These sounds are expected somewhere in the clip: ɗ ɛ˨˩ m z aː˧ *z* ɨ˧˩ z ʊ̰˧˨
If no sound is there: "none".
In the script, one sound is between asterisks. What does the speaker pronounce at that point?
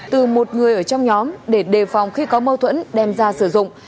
s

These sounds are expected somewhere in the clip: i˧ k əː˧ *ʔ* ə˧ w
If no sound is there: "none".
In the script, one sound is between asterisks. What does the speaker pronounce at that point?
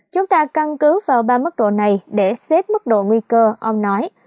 ʔ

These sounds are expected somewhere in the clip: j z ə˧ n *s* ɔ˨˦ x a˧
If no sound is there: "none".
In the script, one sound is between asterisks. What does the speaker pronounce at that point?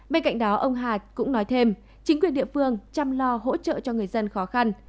x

